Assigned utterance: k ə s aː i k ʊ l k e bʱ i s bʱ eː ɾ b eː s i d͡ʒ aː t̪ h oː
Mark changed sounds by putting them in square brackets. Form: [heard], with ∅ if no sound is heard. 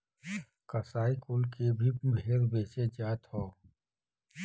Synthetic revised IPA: k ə s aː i k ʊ l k e bʱ i [∅] bʱ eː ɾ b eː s [e] d͡ʒ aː t̪ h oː